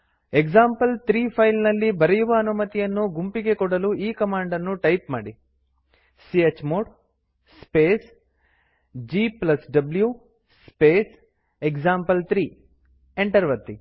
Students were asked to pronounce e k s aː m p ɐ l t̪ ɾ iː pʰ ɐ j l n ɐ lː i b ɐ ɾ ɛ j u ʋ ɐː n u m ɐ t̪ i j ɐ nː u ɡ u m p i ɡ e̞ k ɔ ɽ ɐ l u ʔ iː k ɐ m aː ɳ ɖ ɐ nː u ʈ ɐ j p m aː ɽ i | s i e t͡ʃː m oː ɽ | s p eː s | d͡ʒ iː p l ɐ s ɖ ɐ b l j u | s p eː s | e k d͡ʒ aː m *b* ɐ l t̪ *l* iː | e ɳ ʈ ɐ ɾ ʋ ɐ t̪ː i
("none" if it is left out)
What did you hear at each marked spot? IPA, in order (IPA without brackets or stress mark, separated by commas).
p, ɾ